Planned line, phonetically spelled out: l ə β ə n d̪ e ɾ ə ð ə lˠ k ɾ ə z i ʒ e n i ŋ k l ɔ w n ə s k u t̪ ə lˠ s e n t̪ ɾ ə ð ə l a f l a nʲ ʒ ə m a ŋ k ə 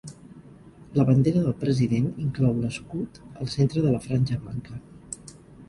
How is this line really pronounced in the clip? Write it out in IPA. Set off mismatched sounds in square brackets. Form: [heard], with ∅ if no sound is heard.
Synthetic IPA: l ə β ə n d̪ e ɾ ə ð ə lˠ [p] ɾ ə z i [ð] e n i ŋ k l ɔ w n ə s k u t̪ ə lˠ s e n t̪ ɾ ə ð ə l [ə] f [ɾ] a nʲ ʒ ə m a ŋ k ə